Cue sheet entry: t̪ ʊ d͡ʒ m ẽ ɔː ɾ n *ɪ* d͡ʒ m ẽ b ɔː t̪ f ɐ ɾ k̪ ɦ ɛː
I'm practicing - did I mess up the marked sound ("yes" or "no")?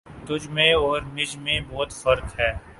no